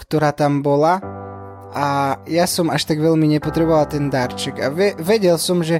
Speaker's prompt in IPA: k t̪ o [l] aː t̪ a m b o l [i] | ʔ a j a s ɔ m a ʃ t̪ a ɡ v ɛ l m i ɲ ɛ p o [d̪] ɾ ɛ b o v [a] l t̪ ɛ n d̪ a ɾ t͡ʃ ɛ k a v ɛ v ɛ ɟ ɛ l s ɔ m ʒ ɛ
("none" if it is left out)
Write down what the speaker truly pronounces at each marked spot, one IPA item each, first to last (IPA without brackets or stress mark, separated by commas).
ɾ, a, t̪, a